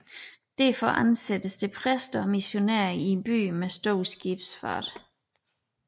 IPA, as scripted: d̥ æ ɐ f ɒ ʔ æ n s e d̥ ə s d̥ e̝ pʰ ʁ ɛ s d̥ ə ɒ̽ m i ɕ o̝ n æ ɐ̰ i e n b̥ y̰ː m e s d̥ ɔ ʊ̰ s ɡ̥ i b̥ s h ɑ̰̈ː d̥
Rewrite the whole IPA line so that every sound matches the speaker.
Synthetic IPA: d̥ æ ɐ f ɒ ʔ æ n s e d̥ ə s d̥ e̝ pʰ ʁ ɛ s d̥ ɐ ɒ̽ m i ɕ o̝ n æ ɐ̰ i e n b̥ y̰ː m e s d̥ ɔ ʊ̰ s ɡ̥ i b̥ s f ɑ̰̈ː d̥